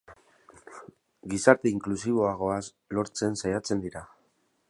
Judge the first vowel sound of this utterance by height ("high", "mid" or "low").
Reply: high